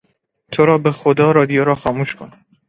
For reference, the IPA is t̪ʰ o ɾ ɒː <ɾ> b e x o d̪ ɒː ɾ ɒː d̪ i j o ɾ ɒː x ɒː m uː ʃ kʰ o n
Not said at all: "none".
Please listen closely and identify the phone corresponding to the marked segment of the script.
none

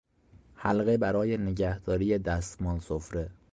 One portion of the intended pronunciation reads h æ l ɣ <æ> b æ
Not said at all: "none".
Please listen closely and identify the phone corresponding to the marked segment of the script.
e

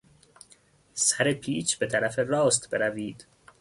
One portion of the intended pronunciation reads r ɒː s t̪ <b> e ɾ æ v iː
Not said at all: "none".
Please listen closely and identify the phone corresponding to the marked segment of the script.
b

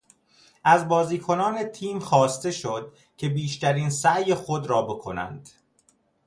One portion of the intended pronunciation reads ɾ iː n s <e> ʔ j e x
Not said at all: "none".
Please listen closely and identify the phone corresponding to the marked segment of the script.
æ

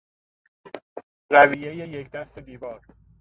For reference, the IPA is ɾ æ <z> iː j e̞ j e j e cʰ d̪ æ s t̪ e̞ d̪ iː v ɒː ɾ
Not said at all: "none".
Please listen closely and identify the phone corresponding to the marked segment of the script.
v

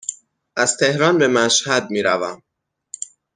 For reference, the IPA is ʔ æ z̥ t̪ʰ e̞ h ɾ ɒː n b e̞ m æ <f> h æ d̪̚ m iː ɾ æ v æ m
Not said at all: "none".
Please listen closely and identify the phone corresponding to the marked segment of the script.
ʃ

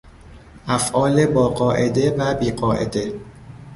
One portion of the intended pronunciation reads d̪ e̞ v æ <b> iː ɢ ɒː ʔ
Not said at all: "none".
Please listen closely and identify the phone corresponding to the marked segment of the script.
b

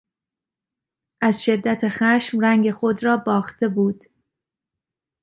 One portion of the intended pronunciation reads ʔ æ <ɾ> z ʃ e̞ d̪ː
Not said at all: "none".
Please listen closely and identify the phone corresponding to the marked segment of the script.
none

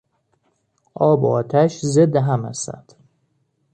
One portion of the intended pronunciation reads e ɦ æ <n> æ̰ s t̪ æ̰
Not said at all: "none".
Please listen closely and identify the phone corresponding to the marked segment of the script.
m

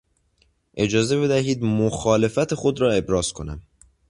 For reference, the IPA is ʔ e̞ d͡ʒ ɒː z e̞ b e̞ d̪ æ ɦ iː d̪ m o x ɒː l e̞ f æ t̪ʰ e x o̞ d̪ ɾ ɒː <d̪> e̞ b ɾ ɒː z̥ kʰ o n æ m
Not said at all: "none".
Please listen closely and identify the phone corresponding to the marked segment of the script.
none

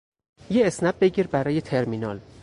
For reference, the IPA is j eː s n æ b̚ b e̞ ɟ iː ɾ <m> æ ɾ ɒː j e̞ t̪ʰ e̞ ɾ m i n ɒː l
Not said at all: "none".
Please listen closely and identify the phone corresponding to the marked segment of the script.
b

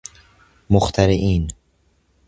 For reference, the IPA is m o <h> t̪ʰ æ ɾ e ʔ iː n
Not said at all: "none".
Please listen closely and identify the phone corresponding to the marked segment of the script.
x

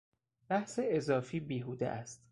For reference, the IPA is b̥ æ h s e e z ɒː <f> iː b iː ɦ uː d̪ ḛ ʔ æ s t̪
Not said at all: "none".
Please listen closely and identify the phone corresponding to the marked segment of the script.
f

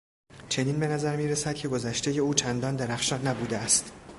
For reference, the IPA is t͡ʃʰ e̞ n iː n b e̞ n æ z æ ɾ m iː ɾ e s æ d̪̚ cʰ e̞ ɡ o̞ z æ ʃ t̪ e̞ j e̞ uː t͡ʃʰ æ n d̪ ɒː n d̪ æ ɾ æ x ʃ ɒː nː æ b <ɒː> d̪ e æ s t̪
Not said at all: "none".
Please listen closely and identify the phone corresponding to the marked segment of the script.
uː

